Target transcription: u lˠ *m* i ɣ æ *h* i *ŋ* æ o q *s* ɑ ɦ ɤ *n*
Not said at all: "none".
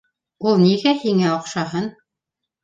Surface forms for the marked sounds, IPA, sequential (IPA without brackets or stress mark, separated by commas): n, h, ŋ, ʃ, n